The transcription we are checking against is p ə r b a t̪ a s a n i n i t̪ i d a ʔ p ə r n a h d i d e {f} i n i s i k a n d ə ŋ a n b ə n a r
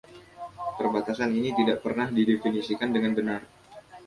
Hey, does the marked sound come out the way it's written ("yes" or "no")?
yes